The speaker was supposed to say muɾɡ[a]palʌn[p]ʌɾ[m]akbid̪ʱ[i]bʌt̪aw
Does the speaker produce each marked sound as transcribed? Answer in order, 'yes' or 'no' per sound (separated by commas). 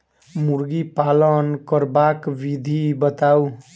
no, no, no, yes